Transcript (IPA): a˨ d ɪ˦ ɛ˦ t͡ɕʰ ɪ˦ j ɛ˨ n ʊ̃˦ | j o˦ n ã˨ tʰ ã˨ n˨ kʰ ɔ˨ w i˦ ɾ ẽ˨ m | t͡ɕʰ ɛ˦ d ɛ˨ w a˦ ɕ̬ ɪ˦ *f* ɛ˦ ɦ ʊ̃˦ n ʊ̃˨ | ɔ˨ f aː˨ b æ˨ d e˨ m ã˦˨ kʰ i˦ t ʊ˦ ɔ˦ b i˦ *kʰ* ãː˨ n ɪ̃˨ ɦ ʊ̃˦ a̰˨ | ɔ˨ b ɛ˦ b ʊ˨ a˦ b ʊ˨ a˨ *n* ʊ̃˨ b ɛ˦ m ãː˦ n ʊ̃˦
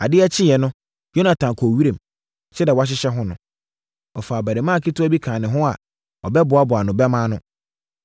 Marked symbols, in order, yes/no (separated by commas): no, yes, yes